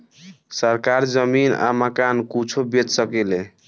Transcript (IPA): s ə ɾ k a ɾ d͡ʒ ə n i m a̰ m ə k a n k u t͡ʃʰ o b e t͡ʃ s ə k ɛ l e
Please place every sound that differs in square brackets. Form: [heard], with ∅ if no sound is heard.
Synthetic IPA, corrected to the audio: s ə ɾ k a ɾ d͡ʒ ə [m] i [n] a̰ m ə k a n k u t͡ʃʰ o b e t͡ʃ s ə k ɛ l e